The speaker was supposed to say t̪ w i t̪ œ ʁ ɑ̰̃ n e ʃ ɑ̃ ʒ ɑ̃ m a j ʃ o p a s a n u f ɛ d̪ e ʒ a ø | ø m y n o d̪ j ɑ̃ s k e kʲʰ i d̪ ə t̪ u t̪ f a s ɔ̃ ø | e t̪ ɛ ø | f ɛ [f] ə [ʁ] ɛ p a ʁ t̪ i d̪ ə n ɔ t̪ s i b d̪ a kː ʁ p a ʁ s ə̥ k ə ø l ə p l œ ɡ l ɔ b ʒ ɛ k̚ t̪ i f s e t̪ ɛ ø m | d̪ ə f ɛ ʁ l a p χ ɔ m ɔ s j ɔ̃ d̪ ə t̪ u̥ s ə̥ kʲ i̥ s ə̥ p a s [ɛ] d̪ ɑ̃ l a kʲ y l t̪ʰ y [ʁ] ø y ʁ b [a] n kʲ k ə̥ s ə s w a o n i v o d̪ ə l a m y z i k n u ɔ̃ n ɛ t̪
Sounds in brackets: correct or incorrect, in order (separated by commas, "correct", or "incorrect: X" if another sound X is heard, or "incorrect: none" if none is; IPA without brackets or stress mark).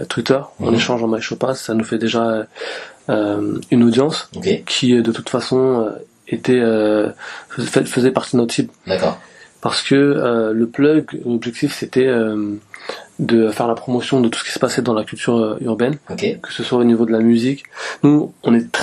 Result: correct, incorrect: z, correct, correct, incorrect: ɛ